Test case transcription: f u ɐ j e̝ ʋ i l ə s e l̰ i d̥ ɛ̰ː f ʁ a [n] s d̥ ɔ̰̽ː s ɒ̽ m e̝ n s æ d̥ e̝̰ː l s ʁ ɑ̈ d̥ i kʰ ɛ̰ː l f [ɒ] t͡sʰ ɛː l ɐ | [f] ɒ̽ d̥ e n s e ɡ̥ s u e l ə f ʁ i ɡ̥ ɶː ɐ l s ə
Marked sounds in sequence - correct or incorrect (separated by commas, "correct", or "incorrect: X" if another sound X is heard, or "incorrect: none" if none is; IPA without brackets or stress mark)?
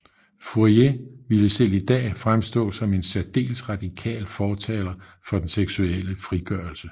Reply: incorrect: m, incorrect: ɒː, correct